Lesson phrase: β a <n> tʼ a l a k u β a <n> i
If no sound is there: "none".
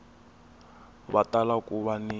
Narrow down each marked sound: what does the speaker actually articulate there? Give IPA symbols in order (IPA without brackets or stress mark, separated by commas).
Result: none, n